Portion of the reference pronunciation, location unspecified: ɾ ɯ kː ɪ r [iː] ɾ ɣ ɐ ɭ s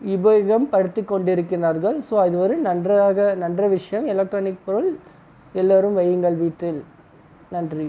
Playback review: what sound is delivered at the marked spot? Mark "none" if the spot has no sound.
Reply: aː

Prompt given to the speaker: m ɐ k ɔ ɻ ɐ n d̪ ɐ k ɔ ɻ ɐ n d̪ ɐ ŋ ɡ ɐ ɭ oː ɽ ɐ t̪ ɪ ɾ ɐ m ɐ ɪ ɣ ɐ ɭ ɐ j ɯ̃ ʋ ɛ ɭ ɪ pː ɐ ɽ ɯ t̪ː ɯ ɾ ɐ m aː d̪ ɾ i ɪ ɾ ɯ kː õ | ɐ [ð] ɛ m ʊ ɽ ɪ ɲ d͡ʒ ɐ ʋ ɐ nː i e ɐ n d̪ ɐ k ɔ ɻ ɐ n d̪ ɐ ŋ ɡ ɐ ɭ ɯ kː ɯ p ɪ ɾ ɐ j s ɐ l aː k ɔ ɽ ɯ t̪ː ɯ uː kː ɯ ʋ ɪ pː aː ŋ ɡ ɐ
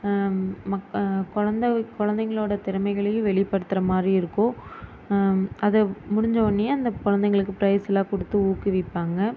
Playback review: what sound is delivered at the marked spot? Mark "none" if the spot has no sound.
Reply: ð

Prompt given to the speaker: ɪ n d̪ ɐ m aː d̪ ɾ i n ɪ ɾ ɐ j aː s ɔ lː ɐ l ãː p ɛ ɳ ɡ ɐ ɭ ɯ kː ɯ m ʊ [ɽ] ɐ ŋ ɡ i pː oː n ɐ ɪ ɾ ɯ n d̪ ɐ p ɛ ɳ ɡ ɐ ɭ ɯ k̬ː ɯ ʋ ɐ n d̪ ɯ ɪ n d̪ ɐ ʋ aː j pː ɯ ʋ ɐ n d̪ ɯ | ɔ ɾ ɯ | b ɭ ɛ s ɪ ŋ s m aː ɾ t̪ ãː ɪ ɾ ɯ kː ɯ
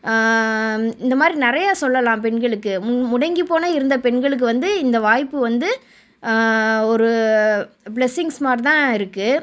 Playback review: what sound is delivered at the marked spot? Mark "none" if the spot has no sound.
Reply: ɽ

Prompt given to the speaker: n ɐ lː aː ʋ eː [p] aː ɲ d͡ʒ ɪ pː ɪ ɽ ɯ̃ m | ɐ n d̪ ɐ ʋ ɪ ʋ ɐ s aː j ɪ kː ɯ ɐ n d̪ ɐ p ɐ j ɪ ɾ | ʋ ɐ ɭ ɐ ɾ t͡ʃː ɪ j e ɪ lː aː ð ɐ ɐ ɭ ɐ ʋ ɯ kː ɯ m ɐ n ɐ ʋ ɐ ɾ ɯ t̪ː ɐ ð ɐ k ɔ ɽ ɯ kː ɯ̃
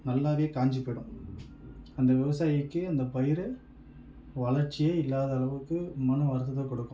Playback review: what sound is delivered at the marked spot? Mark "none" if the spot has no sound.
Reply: k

